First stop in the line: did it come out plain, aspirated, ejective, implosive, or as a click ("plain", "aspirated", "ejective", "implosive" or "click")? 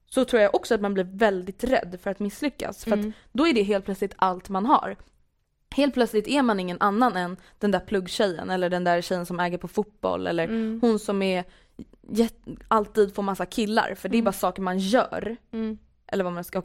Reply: aspirated